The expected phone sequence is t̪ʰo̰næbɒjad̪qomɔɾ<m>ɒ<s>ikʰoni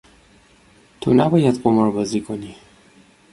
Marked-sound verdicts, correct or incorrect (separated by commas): incorrect, incorrect